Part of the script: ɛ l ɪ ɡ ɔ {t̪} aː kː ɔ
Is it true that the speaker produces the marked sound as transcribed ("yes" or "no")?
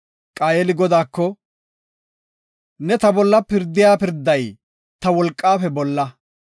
no